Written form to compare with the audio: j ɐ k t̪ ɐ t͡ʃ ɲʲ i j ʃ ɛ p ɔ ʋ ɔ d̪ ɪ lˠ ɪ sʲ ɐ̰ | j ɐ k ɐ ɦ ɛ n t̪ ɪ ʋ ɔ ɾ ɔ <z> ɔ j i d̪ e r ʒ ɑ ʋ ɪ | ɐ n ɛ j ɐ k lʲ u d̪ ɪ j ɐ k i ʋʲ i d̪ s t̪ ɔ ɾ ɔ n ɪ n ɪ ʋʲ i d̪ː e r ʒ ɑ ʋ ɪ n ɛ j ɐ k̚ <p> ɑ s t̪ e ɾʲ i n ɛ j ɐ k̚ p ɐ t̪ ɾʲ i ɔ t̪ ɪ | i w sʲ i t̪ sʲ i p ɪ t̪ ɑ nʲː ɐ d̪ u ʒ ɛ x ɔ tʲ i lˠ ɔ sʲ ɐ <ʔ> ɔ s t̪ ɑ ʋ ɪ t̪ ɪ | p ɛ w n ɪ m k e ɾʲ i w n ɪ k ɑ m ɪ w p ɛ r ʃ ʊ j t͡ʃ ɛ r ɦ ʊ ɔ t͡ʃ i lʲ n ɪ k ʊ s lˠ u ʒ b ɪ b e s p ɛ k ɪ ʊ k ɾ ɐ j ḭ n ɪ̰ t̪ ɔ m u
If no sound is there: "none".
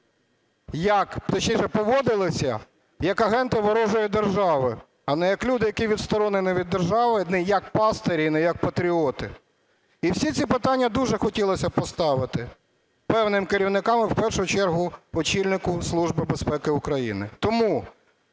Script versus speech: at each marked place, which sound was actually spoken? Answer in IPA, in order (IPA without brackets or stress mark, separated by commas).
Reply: ʒ, p, p